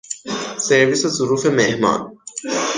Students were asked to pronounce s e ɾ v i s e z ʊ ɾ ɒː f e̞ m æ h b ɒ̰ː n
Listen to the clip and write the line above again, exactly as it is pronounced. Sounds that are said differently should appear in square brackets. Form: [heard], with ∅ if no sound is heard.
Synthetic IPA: s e ɾ v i s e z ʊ ɾ [uː] f e̞ m [e] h [m] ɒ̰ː n